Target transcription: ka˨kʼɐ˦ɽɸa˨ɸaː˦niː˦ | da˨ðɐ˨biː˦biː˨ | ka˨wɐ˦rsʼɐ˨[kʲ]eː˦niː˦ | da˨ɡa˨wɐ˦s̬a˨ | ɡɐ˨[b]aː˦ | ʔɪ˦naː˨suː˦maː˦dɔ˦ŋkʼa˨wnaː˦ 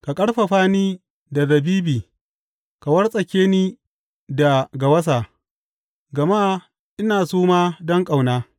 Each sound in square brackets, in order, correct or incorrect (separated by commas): correct, incorrect